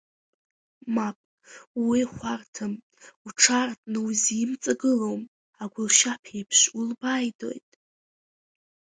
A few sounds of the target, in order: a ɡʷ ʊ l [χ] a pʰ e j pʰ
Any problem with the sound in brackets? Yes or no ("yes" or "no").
yes